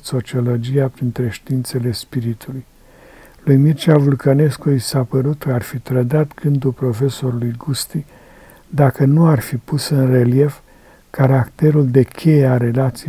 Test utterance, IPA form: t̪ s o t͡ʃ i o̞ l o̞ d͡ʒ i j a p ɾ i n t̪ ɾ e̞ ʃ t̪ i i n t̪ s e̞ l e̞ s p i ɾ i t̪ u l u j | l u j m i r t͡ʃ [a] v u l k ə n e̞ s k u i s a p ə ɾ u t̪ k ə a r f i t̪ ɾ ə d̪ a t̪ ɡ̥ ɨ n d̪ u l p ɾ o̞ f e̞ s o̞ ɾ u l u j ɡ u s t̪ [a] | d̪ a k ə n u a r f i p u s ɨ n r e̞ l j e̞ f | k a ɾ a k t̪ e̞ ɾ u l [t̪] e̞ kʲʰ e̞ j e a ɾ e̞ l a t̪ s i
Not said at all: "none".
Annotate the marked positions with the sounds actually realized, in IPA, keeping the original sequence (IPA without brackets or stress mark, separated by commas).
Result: a, i, d̪